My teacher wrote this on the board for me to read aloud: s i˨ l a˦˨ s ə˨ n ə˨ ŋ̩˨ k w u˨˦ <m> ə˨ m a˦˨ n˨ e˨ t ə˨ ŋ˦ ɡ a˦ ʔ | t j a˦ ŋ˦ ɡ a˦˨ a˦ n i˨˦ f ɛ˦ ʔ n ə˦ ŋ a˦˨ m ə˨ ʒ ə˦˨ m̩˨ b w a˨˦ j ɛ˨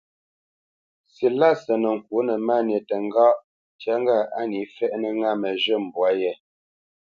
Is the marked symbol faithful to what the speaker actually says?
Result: no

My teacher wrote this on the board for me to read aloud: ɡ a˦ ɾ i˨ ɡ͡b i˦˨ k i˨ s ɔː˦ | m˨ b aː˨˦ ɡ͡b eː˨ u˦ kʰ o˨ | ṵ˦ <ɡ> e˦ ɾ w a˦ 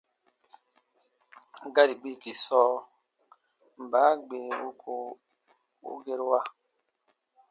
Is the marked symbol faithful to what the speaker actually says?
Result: yes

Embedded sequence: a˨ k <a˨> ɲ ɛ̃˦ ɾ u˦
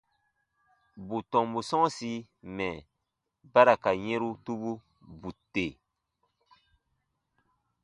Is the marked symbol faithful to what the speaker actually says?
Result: yes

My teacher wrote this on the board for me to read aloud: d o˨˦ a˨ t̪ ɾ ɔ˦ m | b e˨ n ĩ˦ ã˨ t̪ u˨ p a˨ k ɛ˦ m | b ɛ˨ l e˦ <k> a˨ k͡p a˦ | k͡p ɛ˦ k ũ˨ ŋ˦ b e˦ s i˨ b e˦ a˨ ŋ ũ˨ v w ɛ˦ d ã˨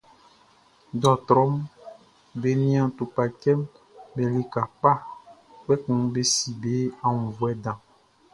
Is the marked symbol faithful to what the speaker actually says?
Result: yes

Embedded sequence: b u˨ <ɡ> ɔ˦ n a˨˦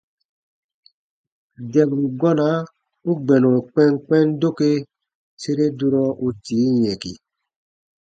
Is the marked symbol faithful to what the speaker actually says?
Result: yes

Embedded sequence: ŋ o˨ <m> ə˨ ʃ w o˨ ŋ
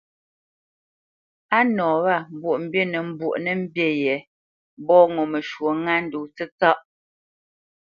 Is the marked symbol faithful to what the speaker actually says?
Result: yes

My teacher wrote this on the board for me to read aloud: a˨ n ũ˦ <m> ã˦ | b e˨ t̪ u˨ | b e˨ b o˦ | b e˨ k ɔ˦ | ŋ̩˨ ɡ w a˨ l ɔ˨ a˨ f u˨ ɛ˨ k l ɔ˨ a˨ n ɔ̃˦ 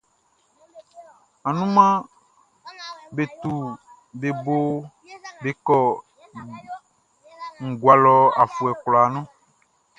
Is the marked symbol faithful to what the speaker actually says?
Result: yes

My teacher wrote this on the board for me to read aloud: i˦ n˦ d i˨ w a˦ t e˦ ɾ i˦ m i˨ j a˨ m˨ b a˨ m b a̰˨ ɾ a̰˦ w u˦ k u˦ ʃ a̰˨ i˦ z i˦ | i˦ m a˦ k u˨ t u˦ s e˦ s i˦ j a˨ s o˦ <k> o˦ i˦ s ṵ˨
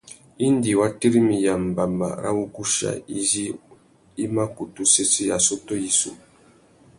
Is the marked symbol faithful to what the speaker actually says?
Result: no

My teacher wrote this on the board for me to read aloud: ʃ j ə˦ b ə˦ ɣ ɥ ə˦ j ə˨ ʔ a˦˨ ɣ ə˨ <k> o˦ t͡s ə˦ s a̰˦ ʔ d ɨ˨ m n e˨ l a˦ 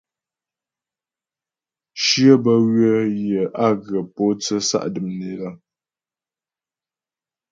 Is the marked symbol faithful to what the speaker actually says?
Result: no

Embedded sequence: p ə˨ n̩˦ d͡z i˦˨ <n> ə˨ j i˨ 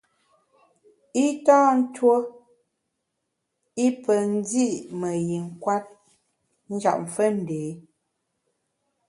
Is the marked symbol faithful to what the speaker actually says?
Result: no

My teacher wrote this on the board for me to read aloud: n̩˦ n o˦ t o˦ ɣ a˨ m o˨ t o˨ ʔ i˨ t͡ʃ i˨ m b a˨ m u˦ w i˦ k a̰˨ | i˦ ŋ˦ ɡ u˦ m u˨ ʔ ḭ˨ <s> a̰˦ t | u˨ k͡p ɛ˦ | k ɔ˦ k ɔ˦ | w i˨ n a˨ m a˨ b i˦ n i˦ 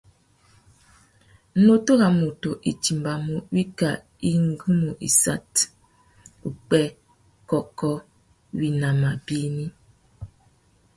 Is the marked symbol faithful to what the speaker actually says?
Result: yes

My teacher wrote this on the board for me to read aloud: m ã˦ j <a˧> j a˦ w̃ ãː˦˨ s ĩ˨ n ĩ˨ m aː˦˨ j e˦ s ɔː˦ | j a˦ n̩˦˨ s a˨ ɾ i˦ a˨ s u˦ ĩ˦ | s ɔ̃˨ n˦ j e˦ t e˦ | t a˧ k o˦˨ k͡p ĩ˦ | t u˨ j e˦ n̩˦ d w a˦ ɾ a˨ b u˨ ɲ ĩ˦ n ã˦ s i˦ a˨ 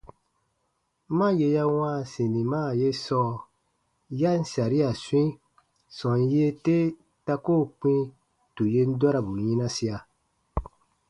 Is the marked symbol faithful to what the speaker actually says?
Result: no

